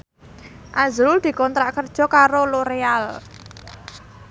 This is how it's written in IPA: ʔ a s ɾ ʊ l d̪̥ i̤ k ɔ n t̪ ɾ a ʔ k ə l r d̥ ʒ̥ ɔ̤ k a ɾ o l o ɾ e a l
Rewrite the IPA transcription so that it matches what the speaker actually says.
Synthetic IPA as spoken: ʔ a z ɾ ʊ l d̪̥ i̤ k ɔ n t̪ ɾ a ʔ k ə r d̥ ʒ̥ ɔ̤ k a ɾ o l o ɾ e a l